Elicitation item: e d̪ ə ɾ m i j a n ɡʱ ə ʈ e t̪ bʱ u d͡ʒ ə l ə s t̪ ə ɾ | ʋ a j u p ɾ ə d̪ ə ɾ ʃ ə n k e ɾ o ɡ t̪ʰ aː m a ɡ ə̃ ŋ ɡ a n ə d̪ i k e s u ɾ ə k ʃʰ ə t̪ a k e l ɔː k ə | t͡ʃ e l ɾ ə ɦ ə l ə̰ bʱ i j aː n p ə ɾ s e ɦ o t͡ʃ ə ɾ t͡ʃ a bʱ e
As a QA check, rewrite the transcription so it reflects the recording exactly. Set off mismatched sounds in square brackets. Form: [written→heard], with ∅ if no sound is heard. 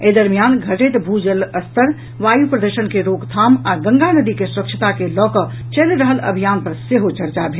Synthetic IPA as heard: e d̪ ə ɾ m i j a n ɡʱ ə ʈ e t̪ bʱ u d͡ʒ ə l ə s t̪ ə ɾ | ʋ a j u p ɾ ə d̪ ə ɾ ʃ ə n k e ɾ o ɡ t̪ʰ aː m a ɡ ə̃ ŋ ɡ a n ə d̪ i k e s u ɾ ə k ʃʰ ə t̪ a k e l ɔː k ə | t͡ʃ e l ɾ ə ɦ ə l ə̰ bʱ i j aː n p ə ɾ s e ɦ o t͡ʃ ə ɾ t͡ʃ a bʱ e